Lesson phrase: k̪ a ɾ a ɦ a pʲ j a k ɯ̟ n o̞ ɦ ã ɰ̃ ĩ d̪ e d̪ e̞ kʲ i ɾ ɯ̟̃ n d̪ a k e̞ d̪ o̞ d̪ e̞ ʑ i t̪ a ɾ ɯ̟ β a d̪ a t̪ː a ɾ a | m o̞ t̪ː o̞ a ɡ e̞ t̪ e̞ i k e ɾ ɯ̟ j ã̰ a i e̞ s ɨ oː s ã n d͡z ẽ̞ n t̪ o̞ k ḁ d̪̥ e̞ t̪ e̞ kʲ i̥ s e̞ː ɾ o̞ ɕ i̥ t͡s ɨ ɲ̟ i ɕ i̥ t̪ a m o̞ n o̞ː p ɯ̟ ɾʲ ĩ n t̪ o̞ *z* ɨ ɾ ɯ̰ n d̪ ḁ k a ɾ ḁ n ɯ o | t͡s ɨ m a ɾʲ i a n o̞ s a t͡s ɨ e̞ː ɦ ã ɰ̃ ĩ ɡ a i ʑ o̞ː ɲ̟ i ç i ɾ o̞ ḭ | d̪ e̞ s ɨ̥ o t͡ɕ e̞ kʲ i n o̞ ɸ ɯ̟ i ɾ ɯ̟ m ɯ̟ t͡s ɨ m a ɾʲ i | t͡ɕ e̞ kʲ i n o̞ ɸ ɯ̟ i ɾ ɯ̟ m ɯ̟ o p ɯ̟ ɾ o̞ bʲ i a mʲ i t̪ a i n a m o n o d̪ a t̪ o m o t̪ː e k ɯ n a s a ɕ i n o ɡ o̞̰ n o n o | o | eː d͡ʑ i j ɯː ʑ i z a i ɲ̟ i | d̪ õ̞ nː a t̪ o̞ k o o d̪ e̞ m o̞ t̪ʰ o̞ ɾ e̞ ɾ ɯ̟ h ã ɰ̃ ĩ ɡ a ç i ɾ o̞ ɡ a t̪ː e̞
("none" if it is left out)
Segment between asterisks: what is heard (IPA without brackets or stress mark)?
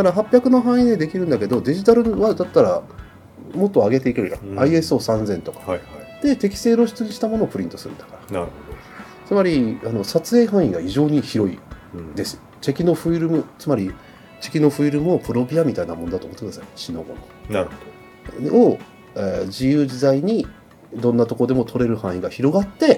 s